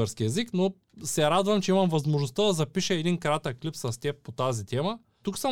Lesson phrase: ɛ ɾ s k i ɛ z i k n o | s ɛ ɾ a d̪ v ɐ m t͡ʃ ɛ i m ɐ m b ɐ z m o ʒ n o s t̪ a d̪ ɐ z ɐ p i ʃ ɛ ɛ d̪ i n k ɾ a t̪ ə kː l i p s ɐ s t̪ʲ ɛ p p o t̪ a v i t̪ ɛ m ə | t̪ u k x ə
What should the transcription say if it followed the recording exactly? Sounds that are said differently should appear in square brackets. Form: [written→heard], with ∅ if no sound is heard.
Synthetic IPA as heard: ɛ ɾ s k i ɛ z i k n o | s ɛ ɾ a d̪ v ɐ m t͡ʃ ɛ i m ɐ m [b→v] ɐ z m o ʒ n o s t̪ a d̪ ɐ z ɐ p i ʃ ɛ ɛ d̪ i n k ɾ a t̪ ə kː l i p s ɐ s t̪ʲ ɛ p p o t̪ a [v→z] i t̪ ɛ m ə | t̪ u k [x→s] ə